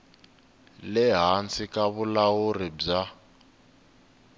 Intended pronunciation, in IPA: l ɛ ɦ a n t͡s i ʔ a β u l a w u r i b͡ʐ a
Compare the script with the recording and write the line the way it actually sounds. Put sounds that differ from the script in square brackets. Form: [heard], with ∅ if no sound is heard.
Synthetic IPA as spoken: l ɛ ɦ a n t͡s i [k] a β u l a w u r i b͡ʐ a